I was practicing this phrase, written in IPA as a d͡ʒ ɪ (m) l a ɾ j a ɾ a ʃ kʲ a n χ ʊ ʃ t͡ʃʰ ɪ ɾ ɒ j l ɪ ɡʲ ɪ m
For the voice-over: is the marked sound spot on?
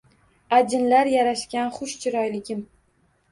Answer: no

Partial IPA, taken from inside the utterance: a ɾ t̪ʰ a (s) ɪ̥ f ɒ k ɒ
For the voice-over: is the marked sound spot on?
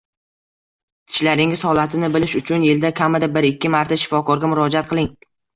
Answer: no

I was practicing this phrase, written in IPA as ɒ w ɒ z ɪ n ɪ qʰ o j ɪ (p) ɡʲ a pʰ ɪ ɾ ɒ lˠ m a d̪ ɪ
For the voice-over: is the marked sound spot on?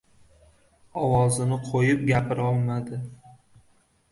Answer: yes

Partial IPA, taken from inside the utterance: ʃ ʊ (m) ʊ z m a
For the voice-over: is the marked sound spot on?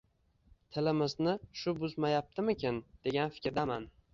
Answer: no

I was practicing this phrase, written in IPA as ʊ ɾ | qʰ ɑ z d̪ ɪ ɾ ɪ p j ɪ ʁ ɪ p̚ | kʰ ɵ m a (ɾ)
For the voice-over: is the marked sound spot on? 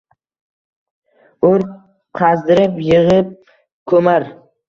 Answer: yes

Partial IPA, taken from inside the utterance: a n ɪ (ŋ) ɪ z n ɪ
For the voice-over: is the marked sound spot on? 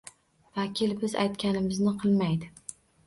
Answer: no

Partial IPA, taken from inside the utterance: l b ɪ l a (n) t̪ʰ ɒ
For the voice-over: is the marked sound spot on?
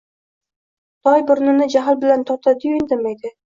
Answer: yes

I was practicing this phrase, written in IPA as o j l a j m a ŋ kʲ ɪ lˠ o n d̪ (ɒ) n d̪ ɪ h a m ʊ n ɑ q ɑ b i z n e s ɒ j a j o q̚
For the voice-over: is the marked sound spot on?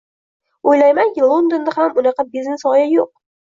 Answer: no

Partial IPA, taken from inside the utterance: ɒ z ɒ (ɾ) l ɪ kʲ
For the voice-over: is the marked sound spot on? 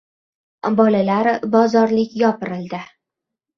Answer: yes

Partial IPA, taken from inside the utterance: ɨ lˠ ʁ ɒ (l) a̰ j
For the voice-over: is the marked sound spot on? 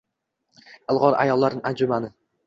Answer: no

